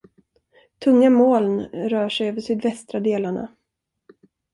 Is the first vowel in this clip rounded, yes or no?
yes